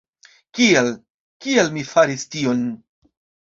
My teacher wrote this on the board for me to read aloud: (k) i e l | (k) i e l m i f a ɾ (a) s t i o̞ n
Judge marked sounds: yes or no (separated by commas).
yes, yes, no